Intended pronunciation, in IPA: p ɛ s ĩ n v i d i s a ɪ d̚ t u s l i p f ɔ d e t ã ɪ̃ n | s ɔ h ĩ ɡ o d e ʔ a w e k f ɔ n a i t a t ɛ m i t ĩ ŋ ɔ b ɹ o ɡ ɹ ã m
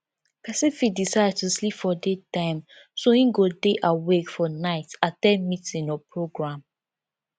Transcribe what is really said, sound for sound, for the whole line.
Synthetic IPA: p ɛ s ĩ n f i d i s a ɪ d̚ t u s l i p f ɔ d e t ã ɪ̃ m | s o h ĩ ɡ o d e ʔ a w e k f ɔ n a ɪ t a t ɛ m i t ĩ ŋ ɔ p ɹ o ɡ ɹ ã m